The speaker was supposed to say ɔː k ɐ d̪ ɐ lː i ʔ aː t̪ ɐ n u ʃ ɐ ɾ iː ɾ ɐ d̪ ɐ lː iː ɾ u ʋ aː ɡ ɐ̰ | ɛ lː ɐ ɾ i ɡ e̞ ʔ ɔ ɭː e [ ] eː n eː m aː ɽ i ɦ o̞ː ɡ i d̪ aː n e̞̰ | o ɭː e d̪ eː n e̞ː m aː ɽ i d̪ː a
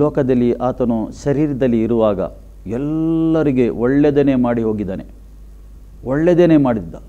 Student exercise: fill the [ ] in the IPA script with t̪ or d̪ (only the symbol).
d̪